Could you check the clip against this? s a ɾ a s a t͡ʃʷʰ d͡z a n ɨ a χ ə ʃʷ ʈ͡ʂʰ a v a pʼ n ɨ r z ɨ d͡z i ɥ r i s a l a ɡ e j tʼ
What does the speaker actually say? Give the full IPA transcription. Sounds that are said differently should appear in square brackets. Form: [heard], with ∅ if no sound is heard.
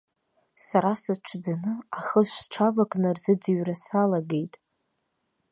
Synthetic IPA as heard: s a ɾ a s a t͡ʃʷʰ d͡z a n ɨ a χ ə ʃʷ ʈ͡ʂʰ a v a [kʼ] n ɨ r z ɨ d͡z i ɥ r [a] s a l a ɡ e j tʼ